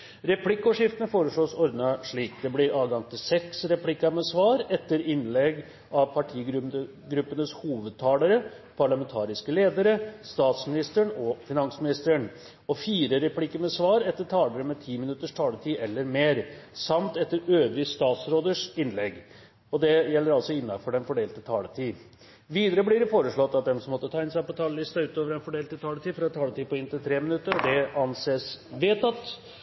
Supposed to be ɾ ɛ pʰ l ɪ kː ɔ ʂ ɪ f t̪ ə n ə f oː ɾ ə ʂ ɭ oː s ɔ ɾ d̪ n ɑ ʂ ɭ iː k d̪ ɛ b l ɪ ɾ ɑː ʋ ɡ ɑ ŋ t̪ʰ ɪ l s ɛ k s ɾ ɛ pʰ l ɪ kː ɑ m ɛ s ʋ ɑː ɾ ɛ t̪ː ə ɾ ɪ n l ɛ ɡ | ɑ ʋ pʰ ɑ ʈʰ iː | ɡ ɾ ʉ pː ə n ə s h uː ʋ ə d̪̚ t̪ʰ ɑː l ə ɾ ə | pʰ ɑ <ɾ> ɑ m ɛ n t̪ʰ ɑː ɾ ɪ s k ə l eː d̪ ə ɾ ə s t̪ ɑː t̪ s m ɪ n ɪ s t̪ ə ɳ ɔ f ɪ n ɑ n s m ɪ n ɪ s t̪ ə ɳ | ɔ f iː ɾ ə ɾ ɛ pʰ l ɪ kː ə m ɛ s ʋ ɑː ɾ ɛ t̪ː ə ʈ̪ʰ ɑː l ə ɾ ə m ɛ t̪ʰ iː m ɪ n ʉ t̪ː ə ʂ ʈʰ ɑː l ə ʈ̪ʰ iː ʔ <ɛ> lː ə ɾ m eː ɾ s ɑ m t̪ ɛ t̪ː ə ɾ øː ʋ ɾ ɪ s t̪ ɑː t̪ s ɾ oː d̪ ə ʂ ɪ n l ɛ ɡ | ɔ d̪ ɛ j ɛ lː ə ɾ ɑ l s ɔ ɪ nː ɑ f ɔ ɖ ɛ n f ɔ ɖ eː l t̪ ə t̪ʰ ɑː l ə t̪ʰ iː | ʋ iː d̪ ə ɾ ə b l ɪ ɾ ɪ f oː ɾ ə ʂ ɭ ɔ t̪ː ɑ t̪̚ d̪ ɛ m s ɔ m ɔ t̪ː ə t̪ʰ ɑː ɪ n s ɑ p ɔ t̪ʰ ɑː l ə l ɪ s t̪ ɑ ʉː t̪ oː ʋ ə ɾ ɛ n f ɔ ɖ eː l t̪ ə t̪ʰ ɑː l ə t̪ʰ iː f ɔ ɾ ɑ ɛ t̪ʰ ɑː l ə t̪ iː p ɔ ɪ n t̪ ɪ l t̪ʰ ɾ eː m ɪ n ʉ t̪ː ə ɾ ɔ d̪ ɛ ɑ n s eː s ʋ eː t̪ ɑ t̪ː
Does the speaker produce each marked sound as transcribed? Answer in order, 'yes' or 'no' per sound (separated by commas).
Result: no, yes